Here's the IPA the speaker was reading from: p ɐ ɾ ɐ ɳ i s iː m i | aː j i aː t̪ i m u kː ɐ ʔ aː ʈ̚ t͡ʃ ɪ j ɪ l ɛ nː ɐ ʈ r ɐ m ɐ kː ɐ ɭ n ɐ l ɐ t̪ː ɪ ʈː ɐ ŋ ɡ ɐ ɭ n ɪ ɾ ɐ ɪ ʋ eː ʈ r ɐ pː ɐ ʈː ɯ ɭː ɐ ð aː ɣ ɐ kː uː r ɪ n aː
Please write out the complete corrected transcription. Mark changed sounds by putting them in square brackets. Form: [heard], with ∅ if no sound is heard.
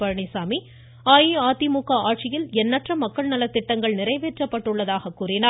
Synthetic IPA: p ɐ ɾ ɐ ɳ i s [aː] m i | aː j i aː t̪ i m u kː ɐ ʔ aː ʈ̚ t͡ʃ ɪ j ɪ l ɛ nː ɐ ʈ r ɐ m ɐ kː ɐ ɭ n ɐ l ɐ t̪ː ɪ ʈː ɐ ŋ ɡ ɐ ɭ n ɪ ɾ ɐ ɪ ʋ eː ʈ r ɐ pː ɐ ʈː ɯ ɭː ɐ ð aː ɣ ɐ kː uː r ɪ n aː